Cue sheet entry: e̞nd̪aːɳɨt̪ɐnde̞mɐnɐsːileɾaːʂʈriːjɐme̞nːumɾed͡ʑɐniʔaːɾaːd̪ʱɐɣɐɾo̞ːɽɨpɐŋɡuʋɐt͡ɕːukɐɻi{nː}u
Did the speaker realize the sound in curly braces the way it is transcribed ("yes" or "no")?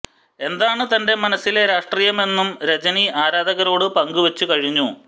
no